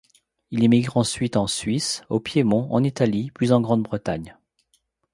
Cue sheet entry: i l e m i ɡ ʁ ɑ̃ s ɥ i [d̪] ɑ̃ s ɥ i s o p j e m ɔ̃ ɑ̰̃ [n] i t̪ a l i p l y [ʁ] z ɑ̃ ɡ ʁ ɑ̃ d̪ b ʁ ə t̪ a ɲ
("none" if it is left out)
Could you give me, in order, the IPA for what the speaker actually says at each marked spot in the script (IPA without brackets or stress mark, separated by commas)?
t̪, n, none